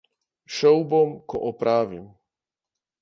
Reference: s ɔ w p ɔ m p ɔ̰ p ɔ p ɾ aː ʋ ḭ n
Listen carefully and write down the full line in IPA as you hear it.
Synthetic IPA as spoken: ʃ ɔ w b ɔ m k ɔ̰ ʔ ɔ p ɾ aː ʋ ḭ m